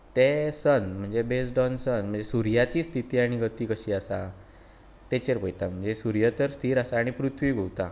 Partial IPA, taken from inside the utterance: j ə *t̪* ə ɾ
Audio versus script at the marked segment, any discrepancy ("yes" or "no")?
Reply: no